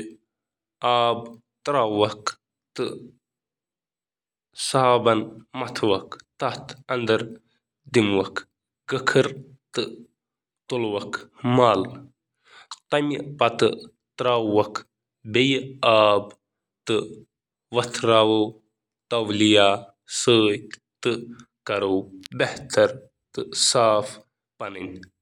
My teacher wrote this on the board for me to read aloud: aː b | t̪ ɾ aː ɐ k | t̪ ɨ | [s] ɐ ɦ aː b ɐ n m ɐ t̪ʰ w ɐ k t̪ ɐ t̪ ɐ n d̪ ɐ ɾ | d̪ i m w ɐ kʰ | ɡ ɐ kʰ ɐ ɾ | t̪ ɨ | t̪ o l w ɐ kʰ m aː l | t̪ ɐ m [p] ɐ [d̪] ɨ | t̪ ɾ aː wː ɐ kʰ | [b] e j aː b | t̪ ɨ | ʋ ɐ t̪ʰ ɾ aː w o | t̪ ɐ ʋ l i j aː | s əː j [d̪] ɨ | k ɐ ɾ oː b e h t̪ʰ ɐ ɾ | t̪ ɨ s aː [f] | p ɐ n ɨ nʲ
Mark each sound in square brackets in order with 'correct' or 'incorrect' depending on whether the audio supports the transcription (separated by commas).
correct, correct, incorrect, correct, incorrect, correct